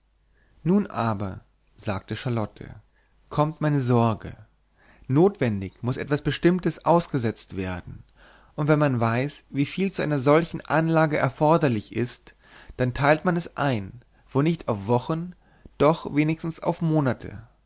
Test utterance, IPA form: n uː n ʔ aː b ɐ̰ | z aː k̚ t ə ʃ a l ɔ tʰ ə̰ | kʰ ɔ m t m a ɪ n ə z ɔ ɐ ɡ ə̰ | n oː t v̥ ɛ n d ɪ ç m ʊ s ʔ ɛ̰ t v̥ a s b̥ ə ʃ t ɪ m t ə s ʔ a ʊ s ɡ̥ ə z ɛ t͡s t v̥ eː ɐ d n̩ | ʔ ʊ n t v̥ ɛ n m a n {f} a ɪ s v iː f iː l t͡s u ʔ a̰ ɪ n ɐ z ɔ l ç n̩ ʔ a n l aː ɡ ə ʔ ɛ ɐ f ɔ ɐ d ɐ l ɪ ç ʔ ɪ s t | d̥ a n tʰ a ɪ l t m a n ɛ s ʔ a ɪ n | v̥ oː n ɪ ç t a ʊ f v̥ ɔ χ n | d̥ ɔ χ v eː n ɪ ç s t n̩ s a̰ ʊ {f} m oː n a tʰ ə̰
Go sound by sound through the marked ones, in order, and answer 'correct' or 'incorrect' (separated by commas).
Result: incorrect, correct